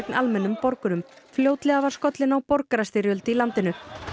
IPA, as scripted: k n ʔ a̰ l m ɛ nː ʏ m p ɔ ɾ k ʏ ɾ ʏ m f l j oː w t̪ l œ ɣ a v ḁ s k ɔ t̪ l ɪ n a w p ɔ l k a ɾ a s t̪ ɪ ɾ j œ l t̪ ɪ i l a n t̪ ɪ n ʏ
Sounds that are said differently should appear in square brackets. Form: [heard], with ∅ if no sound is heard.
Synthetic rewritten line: k n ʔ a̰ l m ɛ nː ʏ m p ɔ ɾ k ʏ ɾ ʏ m f l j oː w t̪ l [ɛ] ɣ a v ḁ s k ɔ t̪ l ɪ n a w p ɔ [ɾ] k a ɾ a s t̪ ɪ ɾ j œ l t̪ ɪ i l a n t̪ ɪ n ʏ